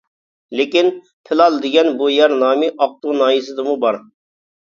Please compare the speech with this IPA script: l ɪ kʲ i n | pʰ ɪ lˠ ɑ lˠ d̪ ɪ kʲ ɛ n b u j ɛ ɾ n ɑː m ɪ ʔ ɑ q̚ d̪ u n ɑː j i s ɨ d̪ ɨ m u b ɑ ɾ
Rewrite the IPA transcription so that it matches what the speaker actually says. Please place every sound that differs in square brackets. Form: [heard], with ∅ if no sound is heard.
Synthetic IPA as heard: l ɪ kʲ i n | pʰ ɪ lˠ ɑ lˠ d̪ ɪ [ɡʲ] ɛ n b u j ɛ ɾ n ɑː m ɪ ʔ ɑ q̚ [t̪] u n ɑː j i s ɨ d̪ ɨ m u b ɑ ɾ